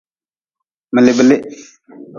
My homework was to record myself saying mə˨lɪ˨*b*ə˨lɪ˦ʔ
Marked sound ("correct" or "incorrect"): correct